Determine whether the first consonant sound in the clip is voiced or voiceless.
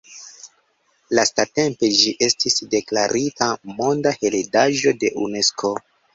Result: voiced